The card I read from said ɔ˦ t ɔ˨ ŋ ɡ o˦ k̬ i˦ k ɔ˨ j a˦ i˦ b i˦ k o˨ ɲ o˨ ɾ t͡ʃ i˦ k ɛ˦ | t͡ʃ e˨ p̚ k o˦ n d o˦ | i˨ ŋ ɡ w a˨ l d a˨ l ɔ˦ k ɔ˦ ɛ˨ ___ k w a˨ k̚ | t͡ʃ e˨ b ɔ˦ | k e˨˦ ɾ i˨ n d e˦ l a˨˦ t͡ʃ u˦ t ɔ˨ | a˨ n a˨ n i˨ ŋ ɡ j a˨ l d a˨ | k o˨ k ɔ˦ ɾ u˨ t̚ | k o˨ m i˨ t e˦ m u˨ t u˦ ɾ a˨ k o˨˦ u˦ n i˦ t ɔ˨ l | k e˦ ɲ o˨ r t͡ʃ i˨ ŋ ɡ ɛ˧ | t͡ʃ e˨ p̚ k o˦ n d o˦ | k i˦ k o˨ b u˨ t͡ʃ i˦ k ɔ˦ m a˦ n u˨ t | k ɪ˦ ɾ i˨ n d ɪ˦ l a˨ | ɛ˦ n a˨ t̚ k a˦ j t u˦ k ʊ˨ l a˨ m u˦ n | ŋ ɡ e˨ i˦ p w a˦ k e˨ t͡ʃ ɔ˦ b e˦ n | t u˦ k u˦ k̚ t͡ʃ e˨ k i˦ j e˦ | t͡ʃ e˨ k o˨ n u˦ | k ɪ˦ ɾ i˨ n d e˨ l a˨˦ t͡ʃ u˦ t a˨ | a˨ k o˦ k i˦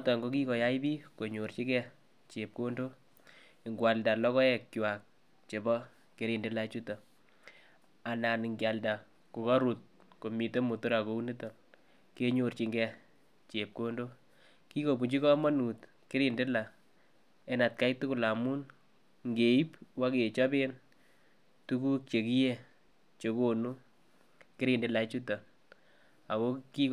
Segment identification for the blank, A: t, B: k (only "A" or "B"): B